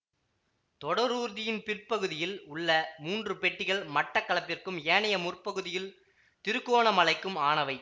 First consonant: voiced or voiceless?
voiceless